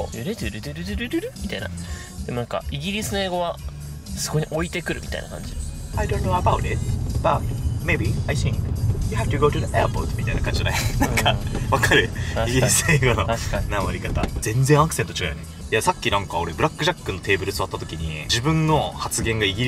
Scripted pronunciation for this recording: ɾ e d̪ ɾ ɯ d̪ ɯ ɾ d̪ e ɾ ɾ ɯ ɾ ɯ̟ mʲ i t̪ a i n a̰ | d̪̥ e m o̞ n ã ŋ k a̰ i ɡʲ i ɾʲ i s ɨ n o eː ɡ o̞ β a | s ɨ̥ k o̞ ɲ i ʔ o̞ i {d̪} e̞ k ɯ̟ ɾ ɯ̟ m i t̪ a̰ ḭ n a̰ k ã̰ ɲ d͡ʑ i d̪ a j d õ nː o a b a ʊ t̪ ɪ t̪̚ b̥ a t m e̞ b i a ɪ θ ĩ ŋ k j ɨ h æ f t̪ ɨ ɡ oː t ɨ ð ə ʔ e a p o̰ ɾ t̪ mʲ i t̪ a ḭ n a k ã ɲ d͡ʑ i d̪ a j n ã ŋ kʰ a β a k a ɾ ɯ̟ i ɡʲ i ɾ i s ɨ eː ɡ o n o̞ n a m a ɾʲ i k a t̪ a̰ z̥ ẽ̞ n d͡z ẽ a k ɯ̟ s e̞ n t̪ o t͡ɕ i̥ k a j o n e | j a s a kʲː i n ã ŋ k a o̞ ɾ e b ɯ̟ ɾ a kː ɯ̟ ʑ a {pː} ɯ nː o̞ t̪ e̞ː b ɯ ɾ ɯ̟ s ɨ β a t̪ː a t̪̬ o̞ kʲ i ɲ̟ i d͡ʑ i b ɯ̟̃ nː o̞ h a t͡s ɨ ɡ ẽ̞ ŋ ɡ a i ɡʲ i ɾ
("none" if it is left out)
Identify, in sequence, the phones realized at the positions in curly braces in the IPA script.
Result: t̪, kː

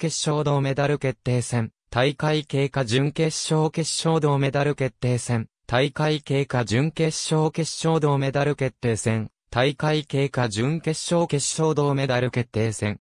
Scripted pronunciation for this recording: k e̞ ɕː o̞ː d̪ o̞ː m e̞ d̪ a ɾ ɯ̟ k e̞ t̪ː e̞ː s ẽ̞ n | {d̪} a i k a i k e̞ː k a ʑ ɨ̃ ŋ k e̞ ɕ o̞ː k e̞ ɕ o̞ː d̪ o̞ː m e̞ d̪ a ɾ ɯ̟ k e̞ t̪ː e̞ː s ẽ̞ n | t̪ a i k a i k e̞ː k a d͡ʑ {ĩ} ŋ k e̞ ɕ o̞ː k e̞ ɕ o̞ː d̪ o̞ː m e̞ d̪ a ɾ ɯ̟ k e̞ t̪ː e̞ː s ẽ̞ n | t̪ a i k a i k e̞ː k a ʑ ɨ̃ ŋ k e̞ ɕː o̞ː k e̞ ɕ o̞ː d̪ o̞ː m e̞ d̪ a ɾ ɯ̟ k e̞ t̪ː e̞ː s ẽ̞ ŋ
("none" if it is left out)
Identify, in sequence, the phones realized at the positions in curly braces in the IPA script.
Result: t̪, ɨ̃

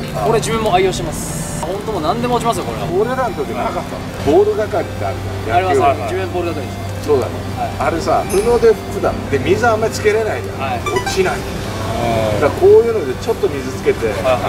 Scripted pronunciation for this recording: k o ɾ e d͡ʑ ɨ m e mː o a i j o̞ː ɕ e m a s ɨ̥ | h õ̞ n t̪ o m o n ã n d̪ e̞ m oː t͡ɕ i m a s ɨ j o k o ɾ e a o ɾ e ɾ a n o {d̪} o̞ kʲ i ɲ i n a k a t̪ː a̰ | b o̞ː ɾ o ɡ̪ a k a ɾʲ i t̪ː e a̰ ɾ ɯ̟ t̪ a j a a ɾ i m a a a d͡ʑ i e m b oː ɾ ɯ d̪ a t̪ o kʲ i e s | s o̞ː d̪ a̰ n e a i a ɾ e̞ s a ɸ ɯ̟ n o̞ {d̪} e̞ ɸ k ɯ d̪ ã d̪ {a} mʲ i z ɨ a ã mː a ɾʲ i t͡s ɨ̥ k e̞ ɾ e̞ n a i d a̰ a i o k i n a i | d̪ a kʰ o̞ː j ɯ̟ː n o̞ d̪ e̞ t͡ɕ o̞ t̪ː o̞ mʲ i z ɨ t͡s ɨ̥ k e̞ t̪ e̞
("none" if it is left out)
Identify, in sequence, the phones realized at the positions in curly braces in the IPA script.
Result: t̪, d̪, e

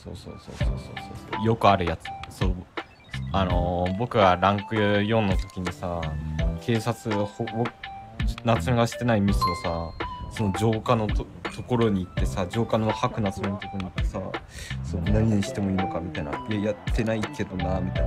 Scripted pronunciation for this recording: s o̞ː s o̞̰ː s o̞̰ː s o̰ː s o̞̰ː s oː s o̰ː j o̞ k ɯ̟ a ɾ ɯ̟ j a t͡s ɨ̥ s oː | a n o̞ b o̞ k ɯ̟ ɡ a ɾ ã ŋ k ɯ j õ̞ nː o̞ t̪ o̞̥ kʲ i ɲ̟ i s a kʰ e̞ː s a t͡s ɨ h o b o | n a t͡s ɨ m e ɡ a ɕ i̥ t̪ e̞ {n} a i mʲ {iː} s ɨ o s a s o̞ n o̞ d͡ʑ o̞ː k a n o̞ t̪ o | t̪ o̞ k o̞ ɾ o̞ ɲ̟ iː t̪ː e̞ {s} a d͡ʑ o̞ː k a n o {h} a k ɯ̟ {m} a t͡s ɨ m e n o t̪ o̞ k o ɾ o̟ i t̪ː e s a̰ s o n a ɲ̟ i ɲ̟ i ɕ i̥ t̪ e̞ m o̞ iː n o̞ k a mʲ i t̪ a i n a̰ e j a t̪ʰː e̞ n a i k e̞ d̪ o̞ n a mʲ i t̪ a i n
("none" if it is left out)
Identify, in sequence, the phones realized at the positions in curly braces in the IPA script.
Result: n, i, s, h, n

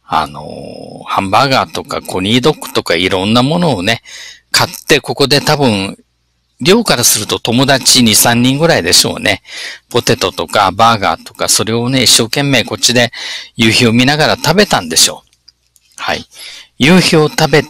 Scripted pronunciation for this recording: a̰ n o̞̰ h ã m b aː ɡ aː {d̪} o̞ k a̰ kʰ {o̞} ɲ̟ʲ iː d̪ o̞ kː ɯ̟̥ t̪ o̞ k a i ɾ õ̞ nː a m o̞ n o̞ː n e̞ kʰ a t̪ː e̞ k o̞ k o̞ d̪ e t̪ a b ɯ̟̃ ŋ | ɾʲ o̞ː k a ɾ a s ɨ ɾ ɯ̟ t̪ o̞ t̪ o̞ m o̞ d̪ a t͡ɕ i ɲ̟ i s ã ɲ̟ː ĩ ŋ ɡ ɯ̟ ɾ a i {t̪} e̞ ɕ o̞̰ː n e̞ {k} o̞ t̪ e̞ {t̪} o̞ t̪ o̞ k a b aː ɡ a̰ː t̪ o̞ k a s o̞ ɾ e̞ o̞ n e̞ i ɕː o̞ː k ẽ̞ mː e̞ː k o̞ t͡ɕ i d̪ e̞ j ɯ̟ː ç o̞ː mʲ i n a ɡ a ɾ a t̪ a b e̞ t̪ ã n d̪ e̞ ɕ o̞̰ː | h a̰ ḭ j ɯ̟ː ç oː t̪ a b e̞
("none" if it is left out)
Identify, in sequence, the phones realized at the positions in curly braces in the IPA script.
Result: t̪, o̞, d̪, p, t̪

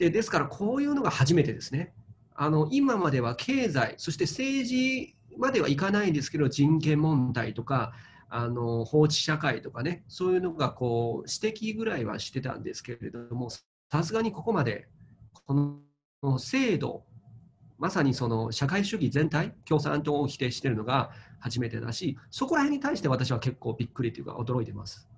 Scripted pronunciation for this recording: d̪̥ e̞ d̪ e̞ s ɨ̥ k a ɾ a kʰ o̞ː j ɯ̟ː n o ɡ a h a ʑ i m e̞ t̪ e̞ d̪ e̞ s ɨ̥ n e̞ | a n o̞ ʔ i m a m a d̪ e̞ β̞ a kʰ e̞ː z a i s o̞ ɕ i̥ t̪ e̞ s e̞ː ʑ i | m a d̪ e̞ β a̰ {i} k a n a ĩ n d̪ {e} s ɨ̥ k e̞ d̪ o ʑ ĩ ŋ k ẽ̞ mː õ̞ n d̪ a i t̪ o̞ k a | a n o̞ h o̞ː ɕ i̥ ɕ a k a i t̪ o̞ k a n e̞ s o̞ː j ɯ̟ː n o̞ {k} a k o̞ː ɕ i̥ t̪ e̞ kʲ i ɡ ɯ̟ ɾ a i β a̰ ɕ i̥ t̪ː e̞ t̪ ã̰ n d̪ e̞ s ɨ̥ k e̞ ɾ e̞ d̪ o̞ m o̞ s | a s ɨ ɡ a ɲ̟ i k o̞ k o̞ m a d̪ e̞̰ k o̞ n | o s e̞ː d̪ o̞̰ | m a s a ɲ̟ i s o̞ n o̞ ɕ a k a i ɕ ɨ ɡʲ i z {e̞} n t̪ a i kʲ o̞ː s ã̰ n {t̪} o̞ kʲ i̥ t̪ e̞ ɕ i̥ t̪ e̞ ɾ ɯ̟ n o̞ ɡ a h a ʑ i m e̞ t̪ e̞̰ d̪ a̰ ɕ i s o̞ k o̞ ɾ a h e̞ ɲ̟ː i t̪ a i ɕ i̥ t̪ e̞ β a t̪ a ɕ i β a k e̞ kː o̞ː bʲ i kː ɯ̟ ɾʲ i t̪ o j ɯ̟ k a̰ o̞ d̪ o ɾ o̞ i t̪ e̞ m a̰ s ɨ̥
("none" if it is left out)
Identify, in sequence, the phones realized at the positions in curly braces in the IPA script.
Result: i, e, ɡ, ẽ̞, t̪

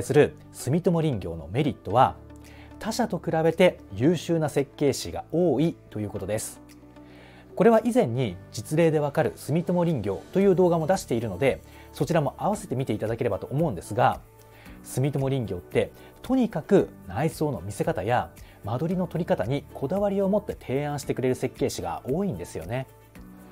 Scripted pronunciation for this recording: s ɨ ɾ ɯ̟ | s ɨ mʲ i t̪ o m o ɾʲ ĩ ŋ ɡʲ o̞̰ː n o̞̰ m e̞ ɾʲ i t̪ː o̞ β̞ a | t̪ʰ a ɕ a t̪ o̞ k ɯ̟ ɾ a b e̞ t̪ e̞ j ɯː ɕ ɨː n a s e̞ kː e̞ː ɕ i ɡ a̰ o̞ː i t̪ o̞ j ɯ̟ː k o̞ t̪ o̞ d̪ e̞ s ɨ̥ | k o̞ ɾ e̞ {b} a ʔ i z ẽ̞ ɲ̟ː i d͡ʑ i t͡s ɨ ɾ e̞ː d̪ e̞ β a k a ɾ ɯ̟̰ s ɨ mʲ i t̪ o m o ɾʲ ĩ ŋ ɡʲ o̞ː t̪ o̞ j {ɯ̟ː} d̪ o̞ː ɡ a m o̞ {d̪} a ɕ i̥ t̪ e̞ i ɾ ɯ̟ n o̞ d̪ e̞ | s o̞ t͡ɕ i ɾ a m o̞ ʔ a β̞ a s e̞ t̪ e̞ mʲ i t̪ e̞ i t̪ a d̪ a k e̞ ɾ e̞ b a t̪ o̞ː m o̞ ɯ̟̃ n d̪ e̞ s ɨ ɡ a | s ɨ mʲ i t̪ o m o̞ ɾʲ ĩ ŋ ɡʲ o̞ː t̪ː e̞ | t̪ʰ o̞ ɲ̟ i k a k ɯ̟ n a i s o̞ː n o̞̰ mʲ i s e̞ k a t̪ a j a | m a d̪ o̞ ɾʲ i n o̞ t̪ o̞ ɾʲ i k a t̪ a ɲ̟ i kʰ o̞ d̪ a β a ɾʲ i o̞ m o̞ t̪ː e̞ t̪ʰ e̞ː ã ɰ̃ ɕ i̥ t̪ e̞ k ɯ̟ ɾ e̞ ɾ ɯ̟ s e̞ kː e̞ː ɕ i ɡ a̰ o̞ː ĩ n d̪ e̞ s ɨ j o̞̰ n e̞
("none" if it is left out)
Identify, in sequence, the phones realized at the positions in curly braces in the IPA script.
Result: β, ɯ̟ː, d̪

